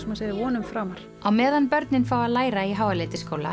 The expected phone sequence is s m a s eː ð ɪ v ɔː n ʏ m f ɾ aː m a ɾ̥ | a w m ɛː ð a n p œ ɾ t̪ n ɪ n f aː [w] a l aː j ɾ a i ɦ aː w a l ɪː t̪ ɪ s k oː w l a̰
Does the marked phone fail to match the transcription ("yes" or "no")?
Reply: no